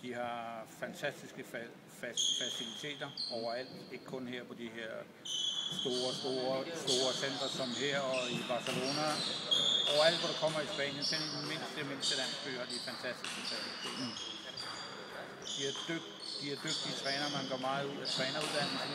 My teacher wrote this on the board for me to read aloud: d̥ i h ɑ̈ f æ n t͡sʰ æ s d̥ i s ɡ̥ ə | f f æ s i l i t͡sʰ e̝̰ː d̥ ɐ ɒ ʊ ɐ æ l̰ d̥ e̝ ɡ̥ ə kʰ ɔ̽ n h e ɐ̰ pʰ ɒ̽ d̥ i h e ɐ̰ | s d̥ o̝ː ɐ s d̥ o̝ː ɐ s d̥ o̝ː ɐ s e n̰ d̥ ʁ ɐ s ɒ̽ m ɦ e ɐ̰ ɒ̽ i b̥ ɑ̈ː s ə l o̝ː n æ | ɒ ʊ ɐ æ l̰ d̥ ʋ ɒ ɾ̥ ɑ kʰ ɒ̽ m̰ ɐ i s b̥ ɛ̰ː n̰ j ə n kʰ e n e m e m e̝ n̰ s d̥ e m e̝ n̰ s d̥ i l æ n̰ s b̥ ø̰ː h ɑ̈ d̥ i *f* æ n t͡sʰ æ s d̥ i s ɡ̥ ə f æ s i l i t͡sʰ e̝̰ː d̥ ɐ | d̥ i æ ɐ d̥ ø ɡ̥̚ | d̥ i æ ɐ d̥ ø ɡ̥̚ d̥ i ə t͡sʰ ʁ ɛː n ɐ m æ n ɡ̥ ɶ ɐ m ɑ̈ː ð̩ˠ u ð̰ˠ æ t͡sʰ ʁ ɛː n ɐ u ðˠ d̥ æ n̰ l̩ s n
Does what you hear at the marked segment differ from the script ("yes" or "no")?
no